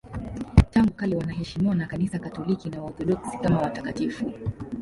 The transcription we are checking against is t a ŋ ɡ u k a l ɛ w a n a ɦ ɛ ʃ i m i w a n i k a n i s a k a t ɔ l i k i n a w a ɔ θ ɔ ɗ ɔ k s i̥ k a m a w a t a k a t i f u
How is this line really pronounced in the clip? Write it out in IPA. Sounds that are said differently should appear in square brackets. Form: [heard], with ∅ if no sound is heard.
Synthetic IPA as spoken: t a ŋ ɡ u k a l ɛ w a n a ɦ ɛ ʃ i m i w a n [a] k a n i s a k a t ɔ l i k i n a w a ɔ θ ɔ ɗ ɔ k s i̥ k a m a w a t a k a t i f u